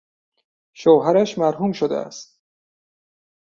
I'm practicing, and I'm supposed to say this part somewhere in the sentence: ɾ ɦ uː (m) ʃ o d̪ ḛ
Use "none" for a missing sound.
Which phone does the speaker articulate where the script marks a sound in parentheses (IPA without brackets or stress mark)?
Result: m